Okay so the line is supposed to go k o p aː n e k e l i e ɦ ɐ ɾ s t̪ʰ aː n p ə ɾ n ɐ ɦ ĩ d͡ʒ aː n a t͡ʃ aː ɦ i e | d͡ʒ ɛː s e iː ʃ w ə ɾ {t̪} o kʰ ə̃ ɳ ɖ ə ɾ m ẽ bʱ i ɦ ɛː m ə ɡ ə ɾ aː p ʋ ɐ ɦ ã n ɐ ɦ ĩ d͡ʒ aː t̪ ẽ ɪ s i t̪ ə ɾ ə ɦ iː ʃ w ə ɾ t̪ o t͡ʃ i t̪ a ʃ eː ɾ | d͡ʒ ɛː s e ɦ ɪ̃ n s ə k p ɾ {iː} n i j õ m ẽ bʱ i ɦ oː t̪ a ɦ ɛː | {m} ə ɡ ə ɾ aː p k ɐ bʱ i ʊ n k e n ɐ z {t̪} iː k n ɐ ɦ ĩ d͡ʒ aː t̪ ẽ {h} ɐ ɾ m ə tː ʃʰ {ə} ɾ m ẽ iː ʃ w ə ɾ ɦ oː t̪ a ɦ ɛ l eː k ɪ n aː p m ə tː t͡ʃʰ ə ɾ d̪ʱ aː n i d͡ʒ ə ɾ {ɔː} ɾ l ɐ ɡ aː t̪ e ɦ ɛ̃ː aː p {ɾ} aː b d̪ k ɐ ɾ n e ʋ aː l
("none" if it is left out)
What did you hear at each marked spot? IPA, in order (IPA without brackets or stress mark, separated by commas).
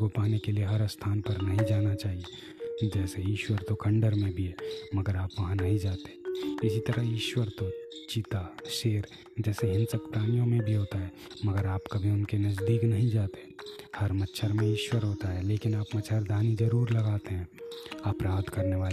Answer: t̪, aː, m, d̪, h, ə, uː, ɾ